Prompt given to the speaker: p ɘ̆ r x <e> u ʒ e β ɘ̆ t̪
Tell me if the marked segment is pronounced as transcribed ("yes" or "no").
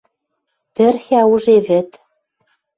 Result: no